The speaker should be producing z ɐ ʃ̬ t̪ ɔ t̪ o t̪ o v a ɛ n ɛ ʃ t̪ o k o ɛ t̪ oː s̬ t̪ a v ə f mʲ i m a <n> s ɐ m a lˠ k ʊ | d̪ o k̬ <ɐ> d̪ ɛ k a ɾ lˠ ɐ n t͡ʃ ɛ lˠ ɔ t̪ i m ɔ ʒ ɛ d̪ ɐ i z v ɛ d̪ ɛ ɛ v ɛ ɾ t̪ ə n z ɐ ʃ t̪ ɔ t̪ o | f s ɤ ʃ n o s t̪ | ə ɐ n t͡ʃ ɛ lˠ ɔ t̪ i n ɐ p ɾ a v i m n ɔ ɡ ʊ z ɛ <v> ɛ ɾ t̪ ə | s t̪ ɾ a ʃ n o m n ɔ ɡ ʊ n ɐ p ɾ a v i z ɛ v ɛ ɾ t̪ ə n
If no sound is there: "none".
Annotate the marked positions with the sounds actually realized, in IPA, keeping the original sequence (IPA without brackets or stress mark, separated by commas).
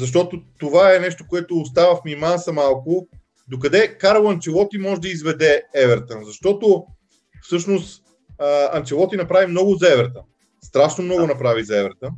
n, ɐ, v